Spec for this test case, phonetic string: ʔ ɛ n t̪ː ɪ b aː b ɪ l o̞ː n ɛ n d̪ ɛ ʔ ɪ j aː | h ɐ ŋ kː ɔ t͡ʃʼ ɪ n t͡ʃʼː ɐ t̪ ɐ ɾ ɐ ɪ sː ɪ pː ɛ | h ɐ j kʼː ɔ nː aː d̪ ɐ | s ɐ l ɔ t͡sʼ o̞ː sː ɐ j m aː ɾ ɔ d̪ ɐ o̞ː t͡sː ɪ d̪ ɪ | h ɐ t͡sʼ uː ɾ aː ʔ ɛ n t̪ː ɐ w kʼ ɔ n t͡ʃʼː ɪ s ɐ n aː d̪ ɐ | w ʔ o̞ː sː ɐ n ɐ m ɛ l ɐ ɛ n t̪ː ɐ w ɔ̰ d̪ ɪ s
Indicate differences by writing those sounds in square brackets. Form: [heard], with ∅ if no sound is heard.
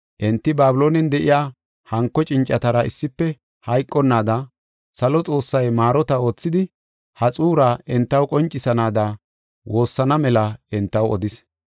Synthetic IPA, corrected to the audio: ʔ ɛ n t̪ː ɪ b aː b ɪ l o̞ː n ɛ n d̪ ɛ ʔ ɪ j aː | h ɐ ŋ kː ɔ t͡ʃʼ ɪ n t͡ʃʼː ɐ t̪ ɐ ɾ ɐ ɪ sː ɪ pː ɛ | h ɐ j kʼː ɔ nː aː d̪ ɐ | s ɐ l ɔ t͡sʼ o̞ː sː ɐ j m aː ɾ ɔ [t̪] ɐ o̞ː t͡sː ɪ d̪ ɪ | h ɐ t͡sʼ uː ɾ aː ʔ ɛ n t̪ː ɐ w kʼ ɔ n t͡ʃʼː ɪ s ɐ n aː d̪ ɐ | w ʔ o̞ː sː ɐ n ɐ m ɛ l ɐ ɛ n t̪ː ɐ w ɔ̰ d̪ ɪ s